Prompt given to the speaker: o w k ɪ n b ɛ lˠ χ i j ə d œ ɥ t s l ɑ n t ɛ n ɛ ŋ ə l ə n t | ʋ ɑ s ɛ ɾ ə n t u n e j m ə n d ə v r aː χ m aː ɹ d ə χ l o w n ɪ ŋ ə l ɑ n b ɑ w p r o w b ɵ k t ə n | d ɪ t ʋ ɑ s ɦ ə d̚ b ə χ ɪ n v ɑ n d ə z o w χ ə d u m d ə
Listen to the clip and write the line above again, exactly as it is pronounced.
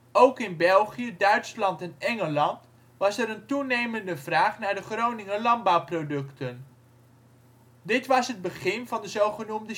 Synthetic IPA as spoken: o w k ɪ n b ɛ lˠ χ i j ə d œ ɥ t s l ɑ n t ɛ n ɛ ŋ ə l ɑ n t | ʋ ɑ s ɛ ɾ ə n t u n e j m ə n d ə v r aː χ n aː ɹ d ə χ r o w n ɪ ŋ ə l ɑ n b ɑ w p r o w d ɵ k t ə n | d ɪ t ʋ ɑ s ɦ ə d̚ b ə χ ɪ n v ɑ n d ə z o w χ ə n u m d ə

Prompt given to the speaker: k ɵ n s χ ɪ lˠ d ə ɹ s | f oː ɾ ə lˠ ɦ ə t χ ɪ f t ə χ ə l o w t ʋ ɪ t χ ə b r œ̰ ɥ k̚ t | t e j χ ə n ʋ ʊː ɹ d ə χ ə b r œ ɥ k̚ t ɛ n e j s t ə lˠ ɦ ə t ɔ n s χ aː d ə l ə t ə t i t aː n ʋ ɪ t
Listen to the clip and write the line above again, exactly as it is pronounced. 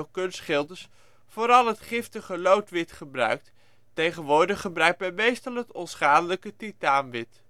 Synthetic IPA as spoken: k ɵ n s χ ɪ lˠ d ə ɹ s | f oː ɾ ɑ lˠ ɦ ə t χ ɪ f t ə χ ə l o w t ʋ ɪ t χ ə b r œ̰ ɥ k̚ t | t e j χ ə n ʋ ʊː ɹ d ə χ ə b r œ ɥ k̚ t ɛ m e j s t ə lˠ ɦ ə t ɔ n s χ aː d ə l ə k ə t i t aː n ʋ ɪ t

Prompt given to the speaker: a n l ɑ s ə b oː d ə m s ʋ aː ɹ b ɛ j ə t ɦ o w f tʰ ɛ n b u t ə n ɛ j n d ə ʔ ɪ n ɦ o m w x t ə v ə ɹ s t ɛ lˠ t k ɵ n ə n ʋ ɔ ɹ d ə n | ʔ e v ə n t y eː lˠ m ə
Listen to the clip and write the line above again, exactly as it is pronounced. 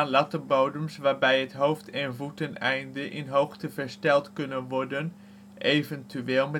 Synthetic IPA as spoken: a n l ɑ t ə b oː d ə m s ʋ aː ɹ b ɛ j ə t ɦ o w f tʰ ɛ n v u t ə n ɛ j n d ə ʔ ɪ n ɦ o w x t ə v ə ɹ s t ɛ lˠ t k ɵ n ə n ʋ ɔ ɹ d ə n | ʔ e v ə n t y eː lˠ m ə

